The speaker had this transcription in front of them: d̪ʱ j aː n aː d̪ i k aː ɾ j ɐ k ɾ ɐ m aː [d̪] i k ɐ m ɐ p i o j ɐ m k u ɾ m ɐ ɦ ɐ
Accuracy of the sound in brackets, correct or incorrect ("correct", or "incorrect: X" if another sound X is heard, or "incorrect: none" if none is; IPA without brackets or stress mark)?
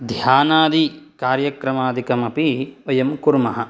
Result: correct